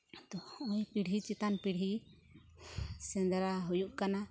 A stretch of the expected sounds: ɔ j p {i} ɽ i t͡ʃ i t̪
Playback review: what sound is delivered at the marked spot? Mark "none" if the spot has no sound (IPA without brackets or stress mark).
i